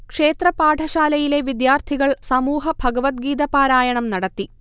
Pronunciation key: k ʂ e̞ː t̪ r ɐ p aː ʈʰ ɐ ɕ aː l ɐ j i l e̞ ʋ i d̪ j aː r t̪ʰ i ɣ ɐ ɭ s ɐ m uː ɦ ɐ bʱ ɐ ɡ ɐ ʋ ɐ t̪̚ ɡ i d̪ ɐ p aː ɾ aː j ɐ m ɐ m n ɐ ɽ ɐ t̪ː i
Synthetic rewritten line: k ʂ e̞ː t̪ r ɐ p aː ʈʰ ɐ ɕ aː l ɐ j i l e̞ ʋ i d̪ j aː r t̪ʰ i ɣ ɐ ɭ s ɐ m uː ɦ ɐ bʱ ɐ ɡ ɐ ʋ ɐ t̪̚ ɡ iː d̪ ɐ p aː ɾ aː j ɐ ɳ ɐ m n ɐ ɽ ɐ t̪ː i